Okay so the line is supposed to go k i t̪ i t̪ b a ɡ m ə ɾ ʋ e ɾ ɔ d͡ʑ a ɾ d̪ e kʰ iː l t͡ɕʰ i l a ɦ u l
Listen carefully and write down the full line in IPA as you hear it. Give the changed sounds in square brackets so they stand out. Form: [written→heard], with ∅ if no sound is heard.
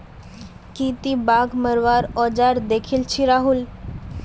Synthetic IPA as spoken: k i t̪ i [t̪→∅] b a ɡ m ə ɾ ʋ [e→a] ɾ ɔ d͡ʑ a ɾ d̪ e kʰ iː l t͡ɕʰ i [l→ɾ] a ɦ u l